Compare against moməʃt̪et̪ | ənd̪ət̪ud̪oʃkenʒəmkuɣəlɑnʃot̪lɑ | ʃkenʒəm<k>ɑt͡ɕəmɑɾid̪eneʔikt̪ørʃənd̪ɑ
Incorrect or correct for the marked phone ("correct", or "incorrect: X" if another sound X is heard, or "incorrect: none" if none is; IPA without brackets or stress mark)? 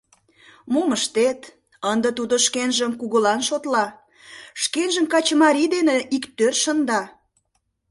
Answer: correct